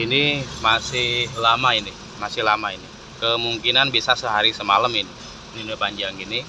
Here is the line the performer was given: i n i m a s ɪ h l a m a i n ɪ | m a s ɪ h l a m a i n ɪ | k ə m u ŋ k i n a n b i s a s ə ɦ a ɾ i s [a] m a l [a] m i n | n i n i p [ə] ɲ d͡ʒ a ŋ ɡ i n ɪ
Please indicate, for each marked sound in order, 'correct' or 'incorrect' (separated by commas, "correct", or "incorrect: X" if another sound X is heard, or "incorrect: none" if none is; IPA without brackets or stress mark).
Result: incorrect: ə, incorrect: ə, incorrect: a